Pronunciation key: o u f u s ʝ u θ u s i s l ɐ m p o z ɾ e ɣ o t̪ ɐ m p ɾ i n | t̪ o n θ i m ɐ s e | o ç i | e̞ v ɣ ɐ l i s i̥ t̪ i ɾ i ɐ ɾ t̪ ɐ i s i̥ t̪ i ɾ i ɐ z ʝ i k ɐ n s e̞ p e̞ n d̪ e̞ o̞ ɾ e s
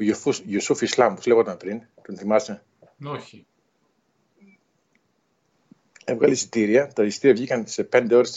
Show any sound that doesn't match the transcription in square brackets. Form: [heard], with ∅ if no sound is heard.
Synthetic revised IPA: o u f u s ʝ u [s] u [f] i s l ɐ m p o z [l] e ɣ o t̪ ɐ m p ɾ i n | t̪ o n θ i m ɐ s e | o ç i | e̞ v ɣ ɐ l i s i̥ t̪ i ɾ i ɐ [∅] t̪ ɐ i s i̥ t̪ i ɾ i ɐ [v] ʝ i k ɐ n s e̞ p e̞ n d̪ e̞ o̞ ɾ e s